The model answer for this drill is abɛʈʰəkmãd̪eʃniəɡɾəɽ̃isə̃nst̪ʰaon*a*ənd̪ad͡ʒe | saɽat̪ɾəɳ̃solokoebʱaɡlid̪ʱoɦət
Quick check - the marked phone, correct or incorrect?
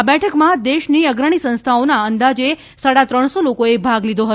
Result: correct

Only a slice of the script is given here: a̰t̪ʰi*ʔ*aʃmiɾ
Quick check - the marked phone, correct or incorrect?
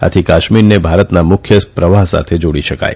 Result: incorrect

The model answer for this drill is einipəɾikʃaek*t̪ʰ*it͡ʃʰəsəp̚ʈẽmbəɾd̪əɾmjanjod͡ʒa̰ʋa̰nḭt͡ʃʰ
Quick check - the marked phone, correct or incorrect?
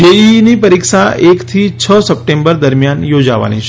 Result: correct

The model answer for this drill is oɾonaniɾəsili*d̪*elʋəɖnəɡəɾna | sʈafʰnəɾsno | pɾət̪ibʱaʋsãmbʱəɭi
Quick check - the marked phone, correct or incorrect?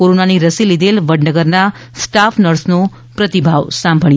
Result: correct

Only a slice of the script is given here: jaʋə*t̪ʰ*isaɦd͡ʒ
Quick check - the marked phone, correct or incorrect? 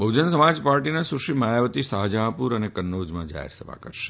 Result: incorrect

